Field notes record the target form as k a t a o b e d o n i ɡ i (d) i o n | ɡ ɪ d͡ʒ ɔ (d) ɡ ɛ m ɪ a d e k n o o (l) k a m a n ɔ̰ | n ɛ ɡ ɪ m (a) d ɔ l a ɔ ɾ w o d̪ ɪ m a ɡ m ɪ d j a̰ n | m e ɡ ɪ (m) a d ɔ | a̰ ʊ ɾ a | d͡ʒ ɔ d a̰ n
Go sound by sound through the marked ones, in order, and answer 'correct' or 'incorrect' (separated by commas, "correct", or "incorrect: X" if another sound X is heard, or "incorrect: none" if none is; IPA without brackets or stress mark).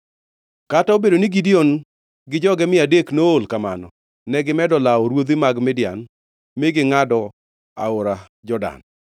correct, incorrect: none, correct, incorrect: ɛ, incorrect: ŋ